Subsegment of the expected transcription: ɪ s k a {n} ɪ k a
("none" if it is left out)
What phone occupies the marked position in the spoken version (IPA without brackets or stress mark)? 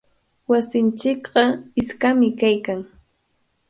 m